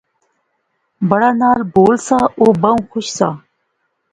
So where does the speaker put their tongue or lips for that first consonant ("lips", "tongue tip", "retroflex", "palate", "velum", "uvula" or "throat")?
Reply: lips